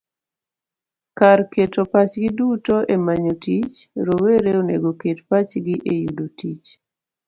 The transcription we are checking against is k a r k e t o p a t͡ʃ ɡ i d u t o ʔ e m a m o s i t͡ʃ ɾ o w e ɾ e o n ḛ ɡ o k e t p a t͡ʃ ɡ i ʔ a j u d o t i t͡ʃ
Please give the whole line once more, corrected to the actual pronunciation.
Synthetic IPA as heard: k a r k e t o p a t͡ʃ ɡ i d u t o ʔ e m a ɲ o t i t͡ʃ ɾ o w e ɾ e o n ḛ ɡ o k e t p a t͡ʃ ɡ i ʔ e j u d o t i t͡ʃ